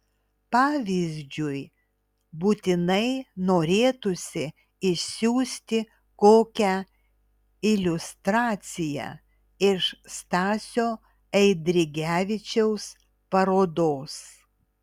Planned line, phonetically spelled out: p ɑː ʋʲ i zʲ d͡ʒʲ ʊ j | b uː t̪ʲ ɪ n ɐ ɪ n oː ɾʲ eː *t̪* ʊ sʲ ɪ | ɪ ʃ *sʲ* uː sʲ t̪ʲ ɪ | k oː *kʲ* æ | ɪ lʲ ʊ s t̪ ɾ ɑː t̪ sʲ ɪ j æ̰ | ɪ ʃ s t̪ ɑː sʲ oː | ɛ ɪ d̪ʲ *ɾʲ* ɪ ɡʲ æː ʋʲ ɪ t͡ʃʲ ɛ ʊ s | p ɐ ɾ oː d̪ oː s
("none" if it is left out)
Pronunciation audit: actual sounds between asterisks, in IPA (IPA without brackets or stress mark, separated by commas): t̪, sʲ, kʲ, ɾʲ